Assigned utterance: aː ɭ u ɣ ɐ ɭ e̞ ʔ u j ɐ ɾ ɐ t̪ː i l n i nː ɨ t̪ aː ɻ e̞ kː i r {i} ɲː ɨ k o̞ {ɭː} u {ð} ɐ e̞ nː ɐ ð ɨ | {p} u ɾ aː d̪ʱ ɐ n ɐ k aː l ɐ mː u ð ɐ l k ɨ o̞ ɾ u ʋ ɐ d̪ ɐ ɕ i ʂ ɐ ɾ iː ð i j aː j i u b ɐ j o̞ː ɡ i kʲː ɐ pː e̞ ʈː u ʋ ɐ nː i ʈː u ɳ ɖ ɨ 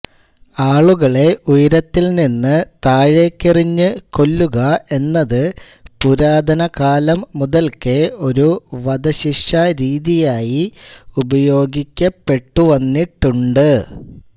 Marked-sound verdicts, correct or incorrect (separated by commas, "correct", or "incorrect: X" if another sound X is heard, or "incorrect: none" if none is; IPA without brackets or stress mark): correct, incorrect: lː, incorrect: ɣ, correct